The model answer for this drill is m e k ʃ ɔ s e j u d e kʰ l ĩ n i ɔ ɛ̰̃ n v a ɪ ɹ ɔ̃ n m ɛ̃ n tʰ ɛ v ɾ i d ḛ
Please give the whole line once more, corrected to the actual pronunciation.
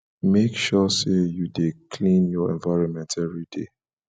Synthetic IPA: m e k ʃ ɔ s e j u d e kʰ l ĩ n j ɔ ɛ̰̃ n v a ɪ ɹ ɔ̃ n m ɛ̃ n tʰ ɛ v ɹ i d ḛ